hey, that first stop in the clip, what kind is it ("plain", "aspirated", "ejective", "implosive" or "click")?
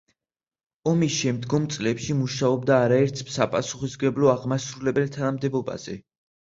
plain